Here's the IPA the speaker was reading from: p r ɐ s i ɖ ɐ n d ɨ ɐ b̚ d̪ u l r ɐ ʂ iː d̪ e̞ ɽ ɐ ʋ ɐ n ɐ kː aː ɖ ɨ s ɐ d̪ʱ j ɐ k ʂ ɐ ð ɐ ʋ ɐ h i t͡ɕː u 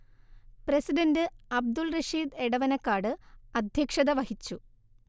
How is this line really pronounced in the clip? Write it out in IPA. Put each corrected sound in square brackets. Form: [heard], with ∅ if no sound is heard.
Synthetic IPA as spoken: p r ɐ s i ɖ ɐ n d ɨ ɐ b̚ d̪ u l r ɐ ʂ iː d̪ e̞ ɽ ɐ ʋ ɐ n ɐ kː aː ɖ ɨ [∅] ɐ d̪ʱ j ɐ k ʂ ɐ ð ɐ ʋ ɐ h i t͡ɕː u